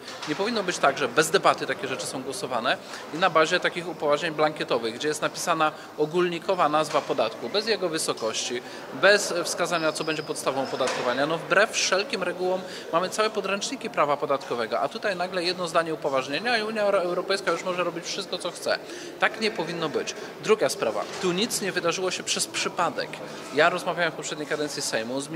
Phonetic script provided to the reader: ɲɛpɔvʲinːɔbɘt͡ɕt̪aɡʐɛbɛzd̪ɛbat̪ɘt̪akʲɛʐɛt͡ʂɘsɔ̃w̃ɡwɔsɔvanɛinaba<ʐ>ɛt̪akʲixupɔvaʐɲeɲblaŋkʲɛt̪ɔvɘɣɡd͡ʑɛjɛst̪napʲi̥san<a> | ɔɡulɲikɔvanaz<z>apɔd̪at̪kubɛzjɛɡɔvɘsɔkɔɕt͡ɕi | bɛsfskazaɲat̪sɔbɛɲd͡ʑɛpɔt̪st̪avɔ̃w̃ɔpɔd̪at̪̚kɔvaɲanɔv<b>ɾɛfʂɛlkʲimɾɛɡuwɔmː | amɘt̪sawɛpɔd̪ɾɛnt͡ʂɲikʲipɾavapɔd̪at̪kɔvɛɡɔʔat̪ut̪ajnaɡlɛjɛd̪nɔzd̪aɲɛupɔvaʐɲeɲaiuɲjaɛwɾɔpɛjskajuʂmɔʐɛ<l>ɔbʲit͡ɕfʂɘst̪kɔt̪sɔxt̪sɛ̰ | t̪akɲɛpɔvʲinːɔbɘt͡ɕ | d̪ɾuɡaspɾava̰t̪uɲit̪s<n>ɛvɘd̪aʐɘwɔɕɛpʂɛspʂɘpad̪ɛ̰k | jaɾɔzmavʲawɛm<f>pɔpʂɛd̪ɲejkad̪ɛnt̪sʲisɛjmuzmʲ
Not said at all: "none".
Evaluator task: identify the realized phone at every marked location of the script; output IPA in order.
ʑ, a, v, b, ɾ, ɲ, f

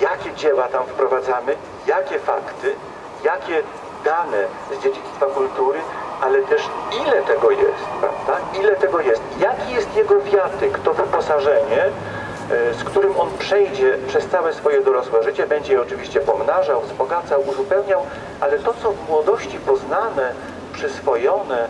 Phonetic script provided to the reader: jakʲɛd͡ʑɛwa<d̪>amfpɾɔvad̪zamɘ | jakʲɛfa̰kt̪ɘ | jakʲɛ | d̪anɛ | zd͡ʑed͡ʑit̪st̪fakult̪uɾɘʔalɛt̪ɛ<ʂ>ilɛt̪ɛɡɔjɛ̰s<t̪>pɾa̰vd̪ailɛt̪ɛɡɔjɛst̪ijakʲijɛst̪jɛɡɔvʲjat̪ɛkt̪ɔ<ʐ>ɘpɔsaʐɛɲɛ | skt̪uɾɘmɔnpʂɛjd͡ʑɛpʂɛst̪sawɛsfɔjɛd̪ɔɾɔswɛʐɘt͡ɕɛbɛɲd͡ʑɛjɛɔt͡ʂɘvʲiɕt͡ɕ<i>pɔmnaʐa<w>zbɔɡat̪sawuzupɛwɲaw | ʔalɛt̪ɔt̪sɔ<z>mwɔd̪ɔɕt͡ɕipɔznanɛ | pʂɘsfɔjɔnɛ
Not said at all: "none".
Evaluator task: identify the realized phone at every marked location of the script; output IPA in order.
t̪, ʂ, t̪, v, ɛ, w, v

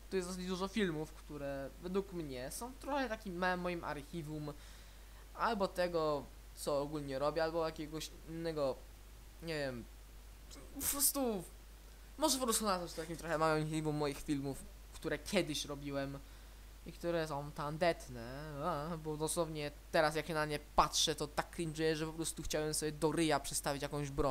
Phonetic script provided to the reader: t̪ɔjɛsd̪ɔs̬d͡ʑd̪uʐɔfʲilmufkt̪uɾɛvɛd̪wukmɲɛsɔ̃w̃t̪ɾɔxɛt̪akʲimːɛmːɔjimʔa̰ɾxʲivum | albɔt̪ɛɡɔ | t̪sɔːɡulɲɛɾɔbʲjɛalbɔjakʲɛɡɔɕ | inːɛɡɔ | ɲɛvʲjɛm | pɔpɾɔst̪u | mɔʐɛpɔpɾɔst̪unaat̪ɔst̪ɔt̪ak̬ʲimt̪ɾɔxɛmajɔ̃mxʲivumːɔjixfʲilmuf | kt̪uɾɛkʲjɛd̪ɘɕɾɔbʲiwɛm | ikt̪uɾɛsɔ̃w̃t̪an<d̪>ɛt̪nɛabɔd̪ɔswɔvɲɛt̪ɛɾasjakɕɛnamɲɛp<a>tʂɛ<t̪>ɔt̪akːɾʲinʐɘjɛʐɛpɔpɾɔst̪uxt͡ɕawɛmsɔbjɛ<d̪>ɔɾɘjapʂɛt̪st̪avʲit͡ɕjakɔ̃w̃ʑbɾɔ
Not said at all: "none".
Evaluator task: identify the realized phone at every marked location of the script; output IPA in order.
d̪, a, t̪, d̪

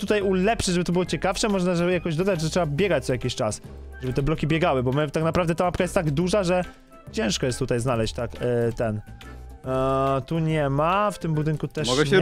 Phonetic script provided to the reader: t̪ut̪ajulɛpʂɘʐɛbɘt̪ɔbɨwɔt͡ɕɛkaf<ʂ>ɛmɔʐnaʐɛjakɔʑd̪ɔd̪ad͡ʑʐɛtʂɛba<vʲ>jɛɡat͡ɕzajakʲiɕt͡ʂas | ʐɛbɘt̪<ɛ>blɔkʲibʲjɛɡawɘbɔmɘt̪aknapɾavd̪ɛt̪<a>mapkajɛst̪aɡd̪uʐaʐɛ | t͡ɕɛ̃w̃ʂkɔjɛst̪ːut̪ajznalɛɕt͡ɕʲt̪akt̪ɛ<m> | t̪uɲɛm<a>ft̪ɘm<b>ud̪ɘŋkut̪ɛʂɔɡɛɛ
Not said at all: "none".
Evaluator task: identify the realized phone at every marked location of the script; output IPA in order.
ʂ, bʲ, ɛ, a, n, a, b

